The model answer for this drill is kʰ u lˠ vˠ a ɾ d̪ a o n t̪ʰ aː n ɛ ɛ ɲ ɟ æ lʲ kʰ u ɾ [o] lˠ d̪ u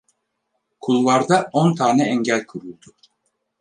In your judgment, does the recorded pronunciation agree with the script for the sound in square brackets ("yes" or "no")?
no